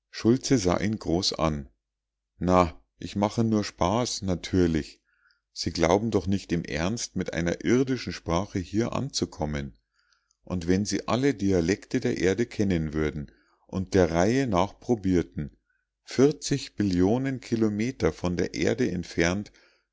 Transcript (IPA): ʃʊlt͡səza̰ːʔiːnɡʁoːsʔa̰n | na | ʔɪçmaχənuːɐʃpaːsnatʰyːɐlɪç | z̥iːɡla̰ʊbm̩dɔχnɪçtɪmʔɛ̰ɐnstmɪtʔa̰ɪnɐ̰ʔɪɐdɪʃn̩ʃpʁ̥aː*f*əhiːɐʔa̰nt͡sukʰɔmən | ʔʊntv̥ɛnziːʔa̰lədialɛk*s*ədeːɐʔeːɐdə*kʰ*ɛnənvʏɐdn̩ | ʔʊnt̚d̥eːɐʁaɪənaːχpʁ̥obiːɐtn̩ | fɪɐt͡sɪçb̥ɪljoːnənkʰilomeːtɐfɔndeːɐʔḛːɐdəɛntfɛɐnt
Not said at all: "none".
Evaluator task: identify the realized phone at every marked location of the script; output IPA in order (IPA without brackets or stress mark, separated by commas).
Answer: χ, t, kʰ